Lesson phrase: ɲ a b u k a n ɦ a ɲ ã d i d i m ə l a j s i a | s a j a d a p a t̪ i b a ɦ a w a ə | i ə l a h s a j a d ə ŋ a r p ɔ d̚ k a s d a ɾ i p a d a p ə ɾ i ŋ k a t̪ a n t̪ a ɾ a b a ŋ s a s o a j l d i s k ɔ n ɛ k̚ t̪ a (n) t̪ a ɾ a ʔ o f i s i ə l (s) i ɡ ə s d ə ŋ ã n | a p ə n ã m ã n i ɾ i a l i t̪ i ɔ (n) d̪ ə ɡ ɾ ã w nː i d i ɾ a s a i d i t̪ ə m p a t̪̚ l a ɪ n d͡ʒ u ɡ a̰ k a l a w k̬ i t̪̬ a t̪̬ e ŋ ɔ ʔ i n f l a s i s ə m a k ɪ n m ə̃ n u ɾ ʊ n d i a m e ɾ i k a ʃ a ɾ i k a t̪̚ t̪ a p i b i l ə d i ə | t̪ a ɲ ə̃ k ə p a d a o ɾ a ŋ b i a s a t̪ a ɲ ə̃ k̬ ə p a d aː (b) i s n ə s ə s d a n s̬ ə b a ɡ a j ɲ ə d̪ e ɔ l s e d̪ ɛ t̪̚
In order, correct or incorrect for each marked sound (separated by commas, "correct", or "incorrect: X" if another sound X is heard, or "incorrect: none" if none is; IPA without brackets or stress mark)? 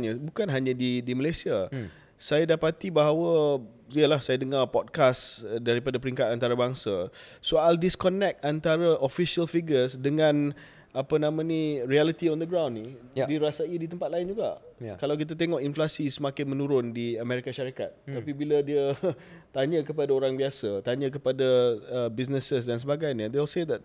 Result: correct, incorrect: f, correct, correct